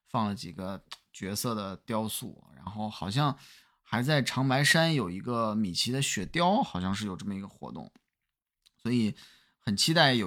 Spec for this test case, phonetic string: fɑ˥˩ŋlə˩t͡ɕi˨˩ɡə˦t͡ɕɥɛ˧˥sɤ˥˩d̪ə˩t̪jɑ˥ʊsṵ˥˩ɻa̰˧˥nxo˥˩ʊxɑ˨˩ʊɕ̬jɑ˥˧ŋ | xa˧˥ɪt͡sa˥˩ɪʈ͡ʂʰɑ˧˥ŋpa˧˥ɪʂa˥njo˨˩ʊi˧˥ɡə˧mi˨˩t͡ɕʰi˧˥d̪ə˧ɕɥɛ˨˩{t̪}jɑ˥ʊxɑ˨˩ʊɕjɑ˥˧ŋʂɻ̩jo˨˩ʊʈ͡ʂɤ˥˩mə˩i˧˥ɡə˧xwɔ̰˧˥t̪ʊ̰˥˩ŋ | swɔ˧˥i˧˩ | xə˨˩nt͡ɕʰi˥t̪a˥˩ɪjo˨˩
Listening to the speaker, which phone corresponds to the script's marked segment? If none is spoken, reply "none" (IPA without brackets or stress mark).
t̪